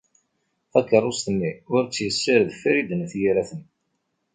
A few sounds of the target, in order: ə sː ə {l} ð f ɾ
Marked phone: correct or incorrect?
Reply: incorrect: ɾ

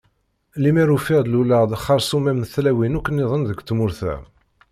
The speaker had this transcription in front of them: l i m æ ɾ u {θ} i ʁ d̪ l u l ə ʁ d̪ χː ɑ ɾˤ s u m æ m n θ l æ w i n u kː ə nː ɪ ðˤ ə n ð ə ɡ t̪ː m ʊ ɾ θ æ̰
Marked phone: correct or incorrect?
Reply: incorrect: f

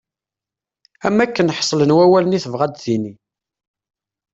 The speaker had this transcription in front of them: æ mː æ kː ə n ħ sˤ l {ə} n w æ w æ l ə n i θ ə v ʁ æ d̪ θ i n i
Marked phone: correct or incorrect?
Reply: correct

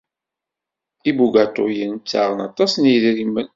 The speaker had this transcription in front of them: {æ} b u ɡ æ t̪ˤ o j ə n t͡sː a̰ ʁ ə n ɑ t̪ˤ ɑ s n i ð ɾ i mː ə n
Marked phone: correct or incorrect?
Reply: incorrect: i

